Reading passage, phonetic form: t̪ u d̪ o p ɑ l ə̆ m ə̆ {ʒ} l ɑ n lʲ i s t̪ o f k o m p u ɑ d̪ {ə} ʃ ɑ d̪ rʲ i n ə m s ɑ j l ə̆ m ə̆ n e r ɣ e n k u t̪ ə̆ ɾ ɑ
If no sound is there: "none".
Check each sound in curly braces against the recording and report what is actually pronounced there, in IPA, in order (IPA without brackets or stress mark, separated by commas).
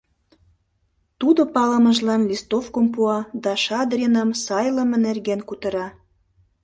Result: ʒ, ɑ